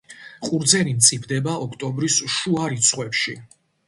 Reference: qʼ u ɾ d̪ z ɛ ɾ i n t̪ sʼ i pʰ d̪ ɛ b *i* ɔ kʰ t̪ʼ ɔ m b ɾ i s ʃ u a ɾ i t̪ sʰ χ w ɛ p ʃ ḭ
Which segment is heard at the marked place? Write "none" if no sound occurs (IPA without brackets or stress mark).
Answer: a